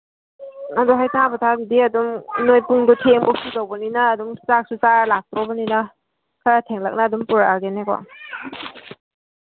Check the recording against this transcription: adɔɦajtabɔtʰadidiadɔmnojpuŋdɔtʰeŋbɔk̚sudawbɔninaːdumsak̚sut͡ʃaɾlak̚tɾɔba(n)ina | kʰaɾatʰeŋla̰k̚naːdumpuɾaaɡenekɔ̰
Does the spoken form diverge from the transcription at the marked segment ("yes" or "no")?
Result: no